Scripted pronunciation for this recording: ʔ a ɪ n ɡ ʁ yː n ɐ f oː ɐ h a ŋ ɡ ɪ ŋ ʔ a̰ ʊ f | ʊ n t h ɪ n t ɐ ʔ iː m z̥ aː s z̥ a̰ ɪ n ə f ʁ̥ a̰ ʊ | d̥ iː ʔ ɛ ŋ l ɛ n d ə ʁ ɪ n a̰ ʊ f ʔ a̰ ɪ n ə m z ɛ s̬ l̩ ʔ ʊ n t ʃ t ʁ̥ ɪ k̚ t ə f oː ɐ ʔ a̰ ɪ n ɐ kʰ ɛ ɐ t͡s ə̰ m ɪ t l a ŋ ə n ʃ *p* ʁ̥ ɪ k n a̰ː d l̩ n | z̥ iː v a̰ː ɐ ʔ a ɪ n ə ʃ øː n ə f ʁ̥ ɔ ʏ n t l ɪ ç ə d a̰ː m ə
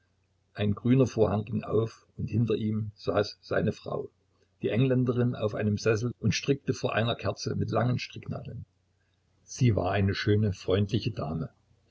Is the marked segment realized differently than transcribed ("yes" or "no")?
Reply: yes